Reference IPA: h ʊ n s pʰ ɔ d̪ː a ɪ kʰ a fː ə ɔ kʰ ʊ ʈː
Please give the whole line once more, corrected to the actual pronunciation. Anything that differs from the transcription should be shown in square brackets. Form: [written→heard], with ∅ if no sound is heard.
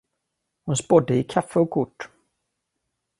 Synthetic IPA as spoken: h ʊ n s [pʰ→p] ɔ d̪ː [a→ə] ɪ kʰ a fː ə ɔ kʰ ʊ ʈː